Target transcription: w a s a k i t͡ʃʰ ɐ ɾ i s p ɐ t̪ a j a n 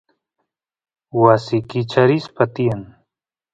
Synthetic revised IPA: w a s i k i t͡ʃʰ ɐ ɾ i s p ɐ t̪ i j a n